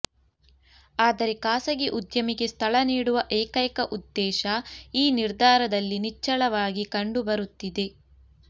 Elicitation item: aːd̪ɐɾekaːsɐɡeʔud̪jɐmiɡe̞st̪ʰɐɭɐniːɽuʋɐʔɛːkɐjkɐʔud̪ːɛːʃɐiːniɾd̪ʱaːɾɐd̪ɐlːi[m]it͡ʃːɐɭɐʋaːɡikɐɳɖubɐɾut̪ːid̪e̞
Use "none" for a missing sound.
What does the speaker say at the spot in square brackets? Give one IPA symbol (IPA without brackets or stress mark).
n